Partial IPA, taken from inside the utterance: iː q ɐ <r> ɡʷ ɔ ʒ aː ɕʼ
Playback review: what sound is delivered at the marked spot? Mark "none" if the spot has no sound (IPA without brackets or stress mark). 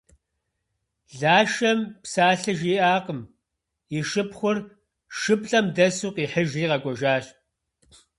none